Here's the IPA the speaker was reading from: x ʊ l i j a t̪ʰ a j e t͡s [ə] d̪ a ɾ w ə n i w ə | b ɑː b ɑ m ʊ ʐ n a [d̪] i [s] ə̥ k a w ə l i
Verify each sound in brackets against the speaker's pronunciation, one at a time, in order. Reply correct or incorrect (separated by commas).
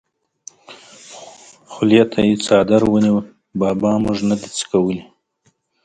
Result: incorrect, correct, incorrect